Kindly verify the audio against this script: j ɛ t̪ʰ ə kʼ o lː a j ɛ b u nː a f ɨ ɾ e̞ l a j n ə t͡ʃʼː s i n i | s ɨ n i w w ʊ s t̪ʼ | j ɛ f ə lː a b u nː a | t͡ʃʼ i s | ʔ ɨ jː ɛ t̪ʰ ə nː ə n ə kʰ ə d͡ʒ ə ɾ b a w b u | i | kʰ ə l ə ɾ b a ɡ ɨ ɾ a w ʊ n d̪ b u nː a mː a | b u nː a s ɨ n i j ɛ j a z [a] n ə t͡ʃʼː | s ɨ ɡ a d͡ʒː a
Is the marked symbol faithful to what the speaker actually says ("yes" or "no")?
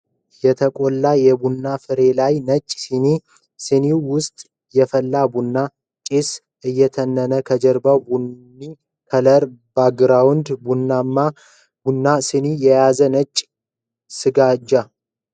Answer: no